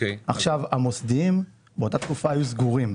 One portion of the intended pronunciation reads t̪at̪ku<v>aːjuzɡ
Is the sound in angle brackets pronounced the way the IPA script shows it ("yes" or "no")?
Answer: no